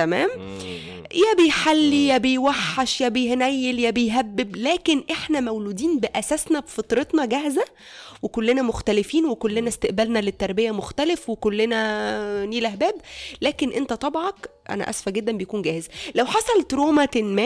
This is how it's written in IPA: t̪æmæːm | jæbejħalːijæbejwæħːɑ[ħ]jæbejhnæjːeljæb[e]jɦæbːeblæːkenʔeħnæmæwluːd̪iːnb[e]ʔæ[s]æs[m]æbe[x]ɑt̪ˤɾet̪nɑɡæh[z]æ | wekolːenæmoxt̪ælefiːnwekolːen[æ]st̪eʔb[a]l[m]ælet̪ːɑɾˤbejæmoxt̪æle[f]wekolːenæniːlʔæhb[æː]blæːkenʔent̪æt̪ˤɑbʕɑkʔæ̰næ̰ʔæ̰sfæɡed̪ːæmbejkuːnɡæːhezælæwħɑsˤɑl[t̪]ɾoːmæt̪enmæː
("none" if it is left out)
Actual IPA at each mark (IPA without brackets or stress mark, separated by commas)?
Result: ʃ, e, e, s, n, f, z, æ, æ, n, f, æː, t̪